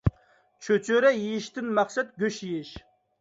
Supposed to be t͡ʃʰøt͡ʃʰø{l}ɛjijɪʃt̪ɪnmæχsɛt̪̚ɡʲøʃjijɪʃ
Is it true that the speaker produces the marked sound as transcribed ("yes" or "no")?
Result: no